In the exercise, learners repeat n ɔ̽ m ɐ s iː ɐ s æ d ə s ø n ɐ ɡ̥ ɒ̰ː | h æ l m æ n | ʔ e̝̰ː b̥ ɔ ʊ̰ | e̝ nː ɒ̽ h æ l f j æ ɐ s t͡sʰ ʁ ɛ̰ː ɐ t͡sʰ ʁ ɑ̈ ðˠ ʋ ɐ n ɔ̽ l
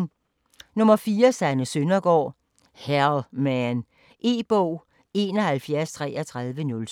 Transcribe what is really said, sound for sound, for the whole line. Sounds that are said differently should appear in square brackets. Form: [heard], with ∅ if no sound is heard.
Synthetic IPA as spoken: n ɔ̽ m ɐ [f] iː ɐ s æ [n] ə s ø n ɐ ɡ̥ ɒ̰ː | h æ l m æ n | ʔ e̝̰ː b̥ ɔ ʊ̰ | e̝ [n] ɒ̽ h æ l f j æ ɐ s t͡sʰ ʁ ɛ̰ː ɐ t͡sʰ ʁ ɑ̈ ðˠ ʋ [ə] n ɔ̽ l

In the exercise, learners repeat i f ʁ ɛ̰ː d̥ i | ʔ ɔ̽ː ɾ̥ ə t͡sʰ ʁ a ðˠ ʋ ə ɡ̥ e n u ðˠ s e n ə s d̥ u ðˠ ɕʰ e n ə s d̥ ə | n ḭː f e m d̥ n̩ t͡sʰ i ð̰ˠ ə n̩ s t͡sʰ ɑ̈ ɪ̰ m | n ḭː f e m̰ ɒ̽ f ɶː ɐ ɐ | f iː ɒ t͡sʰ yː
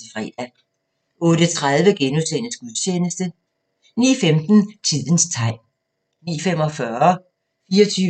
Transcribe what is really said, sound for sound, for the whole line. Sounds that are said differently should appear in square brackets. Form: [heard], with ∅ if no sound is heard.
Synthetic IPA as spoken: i f ʁ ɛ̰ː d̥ [æ] | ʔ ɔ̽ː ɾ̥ ə t͡sʰ ʁ a ðˠ ʋ ə ɡ̥ e n u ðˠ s e n ə s [ɡ̥] u ðˠ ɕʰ e n ə s d̥ ə | n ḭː f e m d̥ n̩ t͡sʰ i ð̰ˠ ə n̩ s t͡sʰ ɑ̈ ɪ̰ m | n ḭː f e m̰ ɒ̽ f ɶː ɐ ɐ | f iː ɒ t͡sʰ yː

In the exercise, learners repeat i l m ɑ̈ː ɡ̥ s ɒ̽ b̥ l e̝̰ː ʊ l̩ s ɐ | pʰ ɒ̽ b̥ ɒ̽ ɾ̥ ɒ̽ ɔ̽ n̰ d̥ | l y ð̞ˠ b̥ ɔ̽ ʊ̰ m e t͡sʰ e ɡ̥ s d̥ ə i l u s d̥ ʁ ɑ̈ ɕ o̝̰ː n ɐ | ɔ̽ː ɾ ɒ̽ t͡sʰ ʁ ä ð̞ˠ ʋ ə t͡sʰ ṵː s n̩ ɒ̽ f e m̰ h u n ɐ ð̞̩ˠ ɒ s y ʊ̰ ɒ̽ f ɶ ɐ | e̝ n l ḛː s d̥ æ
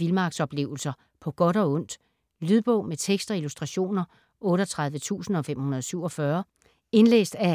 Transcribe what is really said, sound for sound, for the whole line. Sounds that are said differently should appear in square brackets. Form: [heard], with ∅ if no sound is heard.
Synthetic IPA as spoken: i l m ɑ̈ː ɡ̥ s ɒ̽ b̥ l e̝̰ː ʊ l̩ s ɐ | pʰ ɒ̽ [ɡ̥] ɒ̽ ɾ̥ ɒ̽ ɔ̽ n̰ d̥ | l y ð̞ˠ b̥ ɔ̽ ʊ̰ m e t͡sʰ e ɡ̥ s d̥ [ɐ] i l u s d̥ ʁ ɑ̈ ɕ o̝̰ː n ɐ | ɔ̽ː ɾ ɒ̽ t͡sʰ ʁ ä ð̞ˠ ʋ ə t͡sʰ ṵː s n̩ ɒ̽ f e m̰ h u n ɐ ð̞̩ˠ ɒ s y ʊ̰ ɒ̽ f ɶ ɐ | e̝ n l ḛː s d̥ æ

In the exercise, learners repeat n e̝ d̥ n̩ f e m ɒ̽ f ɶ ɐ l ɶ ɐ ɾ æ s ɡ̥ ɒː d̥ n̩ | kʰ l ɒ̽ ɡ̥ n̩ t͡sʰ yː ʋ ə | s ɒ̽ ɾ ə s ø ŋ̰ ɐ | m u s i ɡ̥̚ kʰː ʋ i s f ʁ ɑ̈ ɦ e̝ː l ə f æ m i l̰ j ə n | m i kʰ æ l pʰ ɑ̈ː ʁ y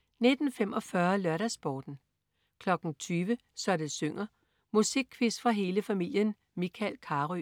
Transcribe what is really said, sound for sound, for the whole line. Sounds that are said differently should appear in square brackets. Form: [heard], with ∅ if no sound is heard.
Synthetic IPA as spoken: n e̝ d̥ n̩ f e m ɒ̽ f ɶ ɐ l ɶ ɐ ɾ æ s [b̥] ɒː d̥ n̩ | kʰ l ɒ̽ ɡ̥ n̩ t͡sʰ yː ʋ ə | s ɒ̽ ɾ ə s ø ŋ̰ ɐ | m u s i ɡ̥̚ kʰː ʋ i s f ʁ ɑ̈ ɦ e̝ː l ə f æ m i l̰ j ə n | m i kʰ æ l [kʰ] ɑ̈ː ʁ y

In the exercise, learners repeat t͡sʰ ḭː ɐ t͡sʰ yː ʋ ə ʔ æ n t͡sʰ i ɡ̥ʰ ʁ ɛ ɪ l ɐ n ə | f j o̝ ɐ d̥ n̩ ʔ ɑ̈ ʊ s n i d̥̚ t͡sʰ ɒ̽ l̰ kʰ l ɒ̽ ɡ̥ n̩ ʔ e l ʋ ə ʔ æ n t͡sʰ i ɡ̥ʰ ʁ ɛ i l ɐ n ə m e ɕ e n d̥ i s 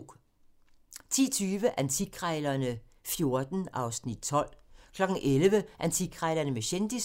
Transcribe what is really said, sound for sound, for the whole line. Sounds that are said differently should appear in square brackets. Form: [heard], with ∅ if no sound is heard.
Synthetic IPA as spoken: t͡sʰ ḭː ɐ t͡sʰ yː ʋ ə ʔ æ n t͡sʰ i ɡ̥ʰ ʁ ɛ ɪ l ɐ n ə | f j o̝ ɐ d̥ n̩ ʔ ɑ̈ ʊ s n i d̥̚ t͡sʰ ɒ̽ l̰ kʰ l ɒ̽ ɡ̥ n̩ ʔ e l ʋ ə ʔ æ n t͡sʰ i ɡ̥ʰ ʁ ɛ [ɪ] l ɐ n ə m e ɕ e n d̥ i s

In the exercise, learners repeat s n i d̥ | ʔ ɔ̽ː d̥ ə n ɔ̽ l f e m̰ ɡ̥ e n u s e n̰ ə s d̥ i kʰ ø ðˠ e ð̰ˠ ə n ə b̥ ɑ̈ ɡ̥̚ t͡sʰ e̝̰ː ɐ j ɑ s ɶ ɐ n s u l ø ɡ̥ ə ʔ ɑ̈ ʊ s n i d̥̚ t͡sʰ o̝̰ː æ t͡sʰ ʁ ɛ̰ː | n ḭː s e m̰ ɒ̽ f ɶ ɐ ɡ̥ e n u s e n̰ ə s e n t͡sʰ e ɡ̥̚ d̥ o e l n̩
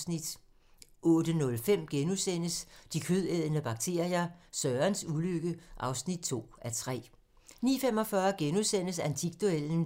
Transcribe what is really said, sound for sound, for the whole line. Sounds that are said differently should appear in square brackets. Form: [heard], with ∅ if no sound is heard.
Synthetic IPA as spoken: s n i d̥ | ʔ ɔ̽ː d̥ ə n ɔ̽ l f e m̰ ɡ̥ e n u s e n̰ ə s d̥ i kʰ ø ðˠ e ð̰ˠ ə n ə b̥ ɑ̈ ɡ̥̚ t͡sʰ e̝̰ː ɐ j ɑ s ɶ ɐ n s u l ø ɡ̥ ə ʔ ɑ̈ ʊ s n i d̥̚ t͡sʰ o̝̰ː æ t͡sʰ ʁ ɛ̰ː | n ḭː [f] e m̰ ɒ̽ f ɶ ɐ ɡ̥ e n u s e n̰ ə s [æ] n t͡sʰ [i] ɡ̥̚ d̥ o e l n̩

